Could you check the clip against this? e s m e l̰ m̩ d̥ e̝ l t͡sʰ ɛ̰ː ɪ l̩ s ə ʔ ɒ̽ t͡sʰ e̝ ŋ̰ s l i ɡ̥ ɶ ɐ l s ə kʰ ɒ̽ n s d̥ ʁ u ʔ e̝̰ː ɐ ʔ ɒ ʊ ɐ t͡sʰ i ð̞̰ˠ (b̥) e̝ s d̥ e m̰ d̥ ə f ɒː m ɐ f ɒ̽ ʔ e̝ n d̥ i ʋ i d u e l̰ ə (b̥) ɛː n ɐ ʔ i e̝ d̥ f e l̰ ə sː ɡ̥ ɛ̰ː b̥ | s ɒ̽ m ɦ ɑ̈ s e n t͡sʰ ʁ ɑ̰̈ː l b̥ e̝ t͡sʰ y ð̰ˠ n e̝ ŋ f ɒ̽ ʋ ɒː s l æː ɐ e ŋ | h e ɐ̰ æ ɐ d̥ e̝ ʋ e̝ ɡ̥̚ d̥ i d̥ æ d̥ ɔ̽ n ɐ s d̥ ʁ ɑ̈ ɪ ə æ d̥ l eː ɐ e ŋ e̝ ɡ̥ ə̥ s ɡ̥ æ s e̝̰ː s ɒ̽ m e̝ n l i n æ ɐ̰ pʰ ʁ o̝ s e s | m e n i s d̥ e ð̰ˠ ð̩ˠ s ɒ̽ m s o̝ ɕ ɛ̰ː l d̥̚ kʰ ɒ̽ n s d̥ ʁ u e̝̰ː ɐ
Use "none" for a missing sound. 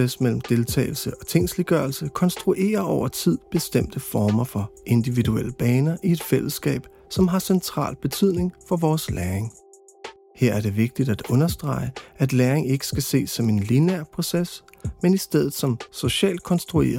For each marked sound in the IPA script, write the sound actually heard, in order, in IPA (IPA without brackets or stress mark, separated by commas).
b̥, b̥